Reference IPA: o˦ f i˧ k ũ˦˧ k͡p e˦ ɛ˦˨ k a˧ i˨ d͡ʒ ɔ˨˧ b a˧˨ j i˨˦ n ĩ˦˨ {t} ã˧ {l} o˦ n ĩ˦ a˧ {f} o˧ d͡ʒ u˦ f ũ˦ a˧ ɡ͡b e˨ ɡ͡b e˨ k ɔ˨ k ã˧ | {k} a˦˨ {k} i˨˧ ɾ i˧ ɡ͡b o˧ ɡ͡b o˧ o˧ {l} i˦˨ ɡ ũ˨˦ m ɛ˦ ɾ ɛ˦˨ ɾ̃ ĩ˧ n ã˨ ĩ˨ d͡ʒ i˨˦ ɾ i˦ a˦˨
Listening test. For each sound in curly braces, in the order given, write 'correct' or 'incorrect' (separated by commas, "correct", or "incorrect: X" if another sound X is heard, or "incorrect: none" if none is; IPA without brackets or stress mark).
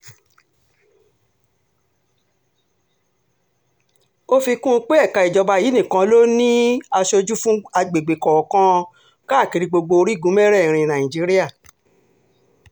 incorrect: k, correct, incorrect: ʃ, correct, correct, incorrect: ɾ